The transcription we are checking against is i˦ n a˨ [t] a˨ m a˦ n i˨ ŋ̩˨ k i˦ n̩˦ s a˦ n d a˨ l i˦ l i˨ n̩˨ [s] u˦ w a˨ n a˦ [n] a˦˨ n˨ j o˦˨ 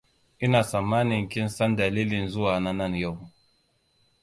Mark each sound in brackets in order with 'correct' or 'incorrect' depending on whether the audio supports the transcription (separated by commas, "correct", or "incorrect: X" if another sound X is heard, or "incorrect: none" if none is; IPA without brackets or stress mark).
incorrect: s, incorrect: z, correct